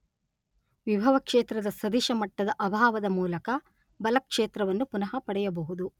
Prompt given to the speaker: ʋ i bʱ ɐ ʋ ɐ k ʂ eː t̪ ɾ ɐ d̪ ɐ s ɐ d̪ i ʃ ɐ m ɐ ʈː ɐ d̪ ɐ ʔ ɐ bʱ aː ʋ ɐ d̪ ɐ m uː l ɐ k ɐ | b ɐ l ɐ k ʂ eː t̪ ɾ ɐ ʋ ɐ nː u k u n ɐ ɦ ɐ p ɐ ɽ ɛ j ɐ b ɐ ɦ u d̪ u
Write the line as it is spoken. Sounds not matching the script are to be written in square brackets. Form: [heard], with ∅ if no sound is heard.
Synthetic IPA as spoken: ʋ i bʱ ɐ ʋ ɐ k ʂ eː t̪ ɾ ɐ d̪ ɐ s ɐ d̪ i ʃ ɐ m ɐ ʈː ɐ d̪ ɐ ʔ ɐ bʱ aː ʋ ɐ d̪ ɐ m uː l ɐ k ɐ | b ɐ l ɐ k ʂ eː t̪ ɾ ɐ ʋ ɐ nː u [p] u n ɐ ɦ ɐ p ɐ ɽ ɛ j ɐ b ɐ ɦ u d̪ u